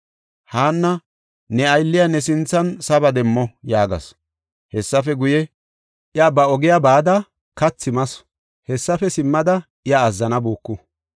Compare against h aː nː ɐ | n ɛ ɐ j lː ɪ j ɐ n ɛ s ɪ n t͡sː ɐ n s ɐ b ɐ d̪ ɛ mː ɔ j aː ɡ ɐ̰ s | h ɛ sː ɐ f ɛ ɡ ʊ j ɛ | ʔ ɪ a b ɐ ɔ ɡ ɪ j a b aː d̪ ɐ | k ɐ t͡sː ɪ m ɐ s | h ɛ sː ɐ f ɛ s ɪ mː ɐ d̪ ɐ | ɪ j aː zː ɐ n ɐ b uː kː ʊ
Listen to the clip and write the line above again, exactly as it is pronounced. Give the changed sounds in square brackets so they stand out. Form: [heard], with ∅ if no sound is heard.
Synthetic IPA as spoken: h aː nː ɐ | n ɛ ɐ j lː ɪ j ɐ n ɛ s ɪ n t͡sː ɐ n s ɐ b ɐ d̪ ɛ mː ɔ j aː ɡ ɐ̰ s | h ɛ sː ɐ f ɛ ɡ ʊ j ɛ | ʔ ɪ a b ɐ ɔ ɡ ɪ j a b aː d̪ ɐ | k ɐ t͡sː ɪ m ɐ s | h ɛ sː ɐ f ɛ s ɪ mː ɐ d̪ ɐ | ɪ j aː zː ɐ n ɐ b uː kː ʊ